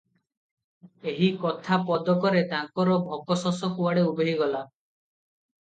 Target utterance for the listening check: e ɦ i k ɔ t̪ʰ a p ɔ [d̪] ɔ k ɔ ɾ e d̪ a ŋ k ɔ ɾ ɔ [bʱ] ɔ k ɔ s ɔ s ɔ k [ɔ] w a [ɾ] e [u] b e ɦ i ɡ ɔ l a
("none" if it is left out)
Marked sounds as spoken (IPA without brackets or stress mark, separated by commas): d̪, bʱ, u, ɽ, u